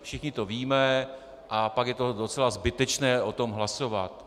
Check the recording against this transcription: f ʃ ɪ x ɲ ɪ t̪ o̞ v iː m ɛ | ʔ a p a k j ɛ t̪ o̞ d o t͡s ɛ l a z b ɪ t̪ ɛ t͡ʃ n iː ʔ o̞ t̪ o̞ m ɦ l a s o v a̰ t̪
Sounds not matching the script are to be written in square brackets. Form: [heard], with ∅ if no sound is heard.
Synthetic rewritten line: f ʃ ɪ x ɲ ɪ t̪ o̞ v iː m ɛ | ʔ a p a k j ɛ t̪ o̞ d o t͡s ɛ l a z b ɪ t̪ ɛ t͡ʃ n [ɛː] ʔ o̞ t̪ o̞ m ɦ l a s o v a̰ t̪